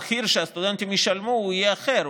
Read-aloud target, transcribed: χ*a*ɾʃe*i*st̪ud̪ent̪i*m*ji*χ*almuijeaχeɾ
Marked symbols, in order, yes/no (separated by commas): no, no, yes, no